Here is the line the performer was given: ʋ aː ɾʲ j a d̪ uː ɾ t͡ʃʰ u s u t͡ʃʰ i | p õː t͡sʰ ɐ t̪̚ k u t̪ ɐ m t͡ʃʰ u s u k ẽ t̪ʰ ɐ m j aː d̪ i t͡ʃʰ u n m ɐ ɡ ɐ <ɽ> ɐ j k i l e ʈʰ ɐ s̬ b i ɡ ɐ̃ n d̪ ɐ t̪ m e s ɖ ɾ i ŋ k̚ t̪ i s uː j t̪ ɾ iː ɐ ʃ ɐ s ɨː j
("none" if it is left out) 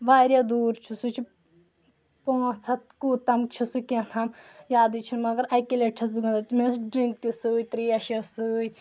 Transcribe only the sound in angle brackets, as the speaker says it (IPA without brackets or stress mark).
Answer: ɾ